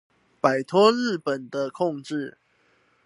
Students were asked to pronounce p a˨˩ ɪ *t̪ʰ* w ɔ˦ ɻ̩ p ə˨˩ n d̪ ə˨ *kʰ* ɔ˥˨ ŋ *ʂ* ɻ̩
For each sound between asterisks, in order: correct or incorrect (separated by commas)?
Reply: correct, correct, incorrect